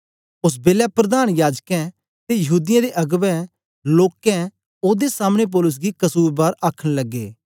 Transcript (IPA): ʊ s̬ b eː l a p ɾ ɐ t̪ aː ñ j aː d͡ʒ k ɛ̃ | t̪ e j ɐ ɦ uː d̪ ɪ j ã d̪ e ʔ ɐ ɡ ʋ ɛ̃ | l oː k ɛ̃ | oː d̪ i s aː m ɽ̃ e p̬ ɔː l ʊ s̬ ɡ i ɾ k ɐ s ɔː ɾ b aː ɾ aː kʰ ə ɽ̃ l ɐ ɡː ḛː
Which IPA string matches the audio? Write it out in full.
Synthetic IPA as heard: ʊ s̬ b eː l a p ɾ ɐ d̪ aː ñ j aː d͡ʒ k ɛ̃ | t̪ e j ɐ ɦ uː d̪ ɪ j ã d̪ e ʔ ɐ ɡ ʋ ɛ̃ | l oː k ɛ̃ | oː d̪ e s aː m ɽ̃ e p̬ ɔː l ʊ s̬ ɡ i k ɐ s uː ɾ b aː ɾ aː kʰ ə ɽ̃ l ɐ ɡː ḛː